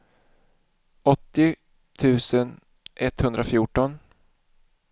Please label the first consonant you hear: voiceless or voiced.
voiceless